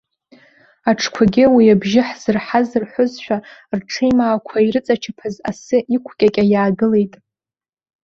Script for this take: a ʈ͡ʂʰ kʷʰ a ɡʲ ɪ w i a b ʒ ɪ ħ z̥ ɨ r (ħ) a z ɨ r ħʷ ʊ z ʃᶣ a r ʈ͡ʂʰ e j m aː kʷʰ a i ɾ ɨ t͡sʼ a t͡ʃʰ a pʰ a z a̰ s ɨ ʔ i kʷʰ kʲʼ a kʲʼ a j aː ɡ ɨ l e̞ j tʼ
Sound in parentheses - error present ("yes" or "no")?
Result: no